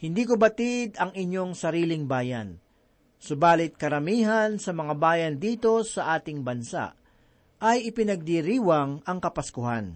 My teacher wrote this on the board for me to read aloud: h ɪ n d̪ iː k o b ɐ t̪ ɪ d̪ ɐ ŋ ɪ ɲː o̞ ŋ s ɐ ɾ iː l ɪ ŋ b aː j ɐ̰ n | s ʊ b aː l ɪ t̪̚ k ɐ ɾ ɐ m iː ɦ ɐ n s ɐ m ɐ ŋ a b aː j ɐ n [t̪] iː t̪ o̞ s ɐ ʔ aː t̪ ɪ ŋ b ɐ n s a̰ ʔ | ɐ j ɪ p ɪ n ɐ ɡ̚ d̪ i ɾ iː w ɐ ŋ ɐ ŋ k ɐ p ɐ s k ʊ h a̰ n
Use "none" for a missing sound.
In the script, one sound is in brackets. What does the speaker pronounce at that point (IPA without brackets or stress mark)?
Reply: d̪